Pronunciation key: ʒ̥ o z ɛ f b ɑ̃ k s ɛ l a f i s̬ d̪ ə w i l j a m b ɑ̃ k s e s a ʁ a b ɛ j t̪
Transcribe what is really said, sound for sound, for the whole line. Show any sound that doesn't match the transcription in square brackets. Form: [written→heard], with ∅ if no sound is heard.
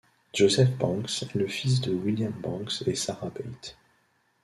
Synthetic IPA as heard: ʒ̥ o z ɛ f b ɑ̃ k s ɛ l [a→ə] f i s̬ d̪ ə w i l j a m b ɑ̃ k s e s a ʁ a b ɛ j t̪